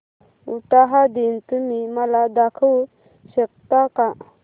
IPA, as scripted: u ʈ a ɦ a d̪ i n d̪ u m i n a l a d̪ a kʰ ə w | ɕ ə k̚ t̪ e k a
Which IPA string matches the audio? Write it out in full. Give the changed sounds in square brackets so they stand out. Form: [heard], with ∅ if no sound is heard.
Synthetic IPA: u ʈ a ɦ a d̪ i n [t̪] u m i [m] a l a d̪ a kʰ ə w | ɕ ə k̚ t̪ [a] k a